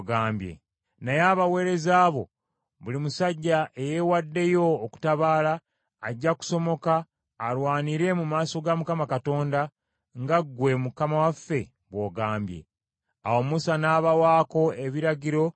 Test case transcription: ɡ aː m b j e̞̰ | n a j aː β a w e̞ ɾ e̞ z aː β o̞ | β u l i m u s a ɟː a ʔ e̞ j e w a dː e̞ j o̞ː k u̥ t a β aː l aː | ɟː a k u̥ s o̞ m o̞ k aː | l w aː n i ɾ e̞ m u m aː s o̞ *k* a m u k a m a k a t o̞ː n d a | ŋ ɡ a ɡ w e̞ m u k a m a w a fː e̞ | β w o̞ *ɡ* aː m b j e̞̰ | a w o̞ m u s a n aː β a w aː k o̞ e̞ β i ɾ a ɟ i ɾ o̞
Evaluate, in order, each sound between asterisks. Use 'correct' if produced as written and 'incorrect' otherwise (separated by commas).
incorrect, correct